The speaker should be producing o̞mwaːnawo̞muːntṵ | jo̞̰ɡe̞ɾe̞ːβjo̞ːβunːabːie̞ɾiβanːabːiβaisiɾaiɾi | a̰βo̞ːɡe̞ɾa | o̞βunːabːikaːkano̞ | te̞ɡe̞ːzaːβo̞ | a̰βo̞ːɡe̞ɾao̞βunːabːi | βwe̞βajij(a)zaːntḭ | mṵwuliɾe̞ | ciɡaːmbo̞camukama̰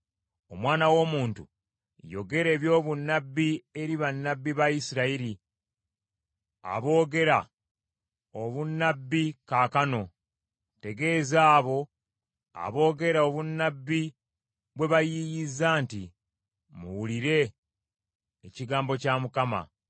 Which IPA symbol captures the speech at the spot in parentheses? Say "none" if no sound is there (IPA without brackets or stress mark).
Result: i